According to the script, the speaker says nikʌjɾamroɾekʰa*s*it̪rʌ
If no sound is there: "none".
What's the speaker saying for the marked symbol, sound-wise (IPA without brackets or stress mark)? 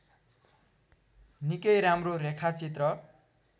t͡s